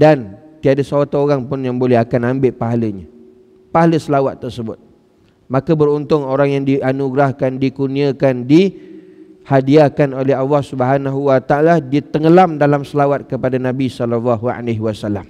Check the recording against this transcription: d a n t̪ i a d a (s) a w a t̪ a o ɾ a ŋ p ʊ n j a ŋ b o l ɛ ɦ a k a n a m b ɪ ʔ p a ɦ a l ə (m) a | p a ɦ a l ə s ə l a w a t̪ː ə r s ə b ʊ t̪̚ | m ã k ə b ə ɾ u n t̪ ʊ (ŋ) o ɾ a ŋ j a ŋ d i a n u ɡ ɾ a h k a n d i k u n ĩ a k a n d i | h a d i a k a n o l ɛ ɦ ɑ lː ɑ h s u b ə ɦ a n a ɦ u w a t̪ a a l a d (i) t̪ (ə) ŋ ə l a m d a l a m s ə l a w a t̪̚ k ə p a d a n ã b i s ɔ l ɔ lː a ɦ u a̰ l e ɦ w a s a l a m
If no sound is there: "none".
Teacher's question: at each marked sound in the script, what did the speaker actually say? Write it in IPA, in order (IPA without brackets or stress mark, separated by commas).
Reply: s, ɲ, ŋ, i, ə